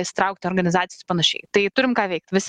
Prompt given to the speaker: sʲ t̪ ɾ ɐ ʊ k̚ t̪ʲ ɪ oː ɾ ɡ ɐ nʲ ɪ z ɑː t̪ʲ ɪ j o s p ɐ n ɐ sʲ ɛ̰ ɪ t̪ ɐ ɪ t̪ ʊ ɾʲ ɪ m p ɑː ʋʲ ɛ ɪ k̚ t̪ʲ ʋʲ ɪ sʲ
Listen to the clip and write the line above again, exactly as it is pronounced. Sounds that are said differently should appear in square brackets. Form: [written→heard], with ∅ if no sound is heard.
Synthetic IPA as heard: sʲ t̪ ɾ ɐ ʊ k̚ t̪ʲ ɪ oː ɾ ɡ ɐ nʲ ɪ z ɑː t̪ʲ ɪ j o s p ɐ n ɐ [sʲ→ʃʲ] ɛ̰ ɪ t̪ ɐ ɪ t̪ ʊ ɾʲ ɪ m [p→k] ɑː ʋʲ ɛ ɪ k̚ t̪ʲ ʋʲ ɪ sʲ